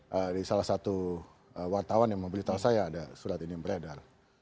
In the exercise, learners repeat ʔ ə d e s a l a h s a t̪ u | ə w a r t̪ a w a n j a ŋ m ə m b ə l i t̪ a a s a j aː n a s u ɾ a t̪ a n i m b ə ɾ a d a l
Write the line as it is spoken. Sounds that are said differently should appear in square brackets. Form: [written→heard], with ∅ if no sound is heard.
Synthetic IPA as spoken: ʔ ə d [e→i] s a l a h s a t̪ u | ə w a r t̪ a w a n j a ŋ m ə m b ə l i t̪ a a s a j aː [n→d] a s u ɾ a t̪ [a→i] n i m b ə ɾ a d a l